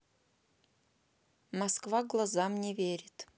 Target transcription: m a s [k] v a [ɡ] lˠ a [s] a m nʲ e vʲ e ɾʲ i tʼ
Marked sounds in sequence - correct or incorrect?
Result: correct, correct, incorrect: z

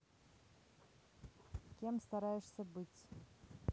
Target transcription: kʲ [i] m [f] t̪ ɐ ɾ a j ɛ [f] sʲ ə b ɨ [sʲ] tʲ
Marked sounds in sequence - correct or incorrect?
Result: incorrect: e, incorrect: s, incorrect: ʂ, incorrect: none

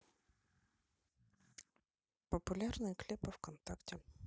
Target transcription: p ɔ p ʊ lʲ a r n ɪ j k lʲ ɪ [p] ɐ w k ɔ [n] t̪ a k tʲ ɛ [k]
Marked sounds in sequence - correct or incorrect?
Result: correct, correct, incorrect: none

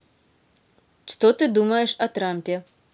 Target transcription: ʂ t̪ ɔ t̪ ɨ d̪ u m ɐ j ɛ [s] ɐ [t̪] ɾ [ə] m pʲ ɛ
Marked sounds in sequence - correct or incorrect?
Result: incorrect: ʂ, correct, incorrect: a

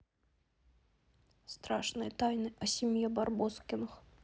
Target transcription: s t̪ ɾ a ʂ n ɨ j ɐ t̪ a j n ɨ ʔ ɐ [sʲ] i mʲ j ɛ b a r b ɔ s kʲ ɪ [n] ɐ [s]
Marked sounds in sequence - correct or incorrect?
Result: correct, correct, incorrect: x

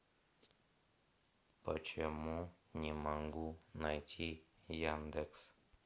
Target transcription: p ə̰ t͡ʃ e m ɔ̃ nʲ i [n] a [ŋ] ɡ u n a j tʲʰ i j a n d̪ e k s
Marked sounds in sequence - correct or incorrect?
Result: incorrect: m, correct

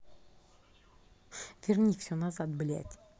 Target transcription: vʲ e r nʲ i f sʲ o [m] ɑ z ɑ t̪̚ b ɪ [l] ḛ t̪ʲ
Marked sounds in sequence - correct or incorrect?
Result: incorrect: n, correct

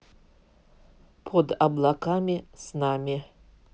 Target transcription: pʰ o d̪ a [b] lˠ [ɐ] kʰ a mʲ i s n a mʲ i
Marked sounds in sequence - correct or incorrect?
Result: correct, incorrect: a

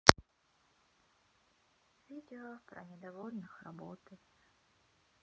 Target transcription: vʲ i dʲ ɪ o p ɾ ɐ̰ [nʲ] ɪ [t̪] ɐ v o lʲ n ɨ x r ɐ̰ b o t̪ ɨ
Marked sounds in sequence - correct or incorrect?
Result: correct, incorrect: d̪

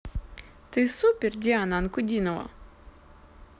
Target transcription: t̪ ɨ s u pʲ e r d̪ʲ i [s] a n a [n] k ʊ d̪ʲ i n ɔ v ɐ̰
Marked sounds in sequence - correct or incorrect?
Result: incorrect: none, correct

